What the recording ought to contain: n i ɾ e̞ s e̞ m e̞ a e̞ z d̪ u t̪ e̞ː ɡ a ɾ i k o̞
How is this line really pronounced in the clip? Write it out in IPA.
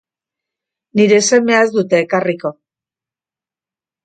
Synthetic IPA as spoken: n i ɾ e̞ s e̞ m e̞ a e̞ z d̪ u t̪ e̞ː k a r i k o̞